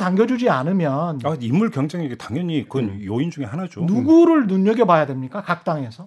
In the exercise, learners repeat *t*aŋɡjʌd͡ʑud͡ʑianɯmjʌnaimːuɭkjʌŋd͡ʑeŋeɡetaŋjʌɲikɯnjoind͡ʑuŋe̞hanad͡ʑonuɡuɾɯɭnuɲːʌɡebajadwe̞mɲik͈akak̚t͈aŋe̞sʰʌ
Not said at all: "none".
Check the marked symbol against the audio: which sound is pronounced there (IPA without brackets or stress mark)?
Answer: t